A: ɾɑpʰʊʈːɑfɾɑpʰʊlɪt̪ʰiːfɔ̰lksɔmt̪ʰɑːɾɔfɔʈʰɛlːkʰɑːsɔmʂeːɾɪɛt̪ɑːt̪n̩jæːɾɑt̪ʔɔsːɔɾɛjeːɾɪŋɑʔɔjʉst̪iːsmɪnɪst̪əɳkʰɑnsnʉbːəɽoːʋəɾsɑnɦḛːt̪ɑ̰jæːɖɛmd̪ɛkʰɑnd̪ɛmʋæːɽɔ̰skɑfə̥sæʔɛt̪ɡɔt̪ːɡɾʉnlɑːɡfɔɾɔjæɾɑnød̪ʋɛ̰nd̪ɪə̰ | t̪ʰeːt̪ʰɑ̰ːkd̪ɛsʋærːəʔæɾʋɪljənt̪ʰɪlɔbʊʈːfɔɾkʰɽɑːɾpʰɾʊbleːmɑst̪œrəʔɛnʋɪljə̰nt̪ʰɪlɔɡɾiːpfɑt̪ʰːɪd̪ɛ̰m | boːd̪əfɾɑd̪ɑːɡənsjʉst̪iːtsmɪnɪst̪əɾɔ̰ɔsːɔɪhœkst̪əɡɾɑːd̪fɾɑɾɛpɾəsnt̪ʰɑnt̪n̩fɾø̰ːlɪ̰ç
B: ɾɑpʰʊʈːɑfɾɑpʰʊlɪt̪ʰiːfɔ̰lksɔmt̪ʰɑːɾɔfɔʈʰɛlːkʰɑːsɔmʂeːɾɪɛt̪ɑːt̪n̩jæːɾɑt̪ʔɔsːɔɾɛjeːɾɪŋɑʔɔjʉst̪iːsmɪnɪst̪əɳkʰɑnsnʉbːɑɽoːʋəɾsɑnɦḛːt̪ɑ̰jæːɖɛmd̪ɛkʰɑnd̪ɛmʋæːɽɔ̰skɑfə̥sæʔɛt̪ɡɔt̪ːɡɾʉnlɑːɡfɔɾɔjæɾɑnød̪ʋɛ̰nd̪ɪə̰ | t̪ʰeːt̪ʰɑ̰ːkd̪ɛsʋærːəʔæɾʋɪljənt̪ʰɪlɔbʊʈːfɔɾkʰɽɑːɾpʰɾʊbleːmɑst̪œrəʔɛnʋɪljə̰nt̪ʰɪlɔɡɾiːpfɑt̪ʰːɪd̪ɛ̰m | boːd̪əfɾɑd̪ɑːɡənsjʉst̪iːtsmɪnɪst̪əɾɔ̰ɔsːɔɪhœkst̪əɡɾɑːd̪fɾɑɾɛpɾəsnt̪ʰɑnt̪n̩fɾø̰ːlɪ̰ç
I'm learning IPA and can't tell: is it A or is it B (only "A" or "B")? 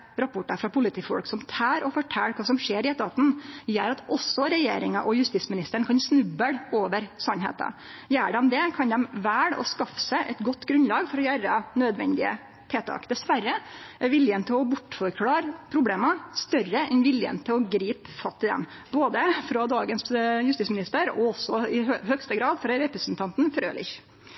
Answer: A